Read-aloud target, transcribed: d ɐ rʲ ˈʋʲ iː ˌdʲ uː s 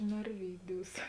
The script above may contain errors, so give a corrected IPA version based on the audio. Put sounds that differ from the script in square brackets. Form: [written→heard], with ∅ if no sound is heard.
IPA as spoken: [d→n] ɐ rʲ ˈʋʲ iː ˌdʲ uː s